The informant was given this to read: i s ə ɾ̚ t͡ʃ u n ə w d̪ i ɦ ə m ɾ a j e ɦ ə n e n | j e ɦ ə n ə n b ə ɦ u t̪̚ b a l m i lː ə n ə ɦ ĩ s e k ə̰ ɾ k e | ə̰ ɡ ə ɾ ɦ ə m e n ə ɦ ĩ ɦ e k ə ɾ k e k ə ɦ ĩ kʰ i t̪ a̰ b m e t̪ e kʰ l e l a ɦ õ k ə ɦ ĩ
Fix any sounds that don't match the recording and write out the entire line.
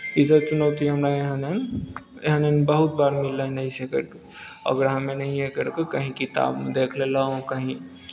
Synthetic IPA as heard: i s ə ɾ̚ t͡ʃ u n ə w t̪ i ɦ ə m ɾ a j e ɦ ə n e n | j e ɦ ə n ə n b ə ɦ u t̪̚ b a ɾ m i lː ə n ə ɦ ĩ s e k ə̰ ɾ k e | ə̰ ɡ ə ɾ ɦ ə m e n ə ɦ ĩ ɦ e k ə ɾ k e k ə ɦ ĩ k i t̪ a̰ b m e d̪ e kʰ l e l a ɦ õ k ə ɦ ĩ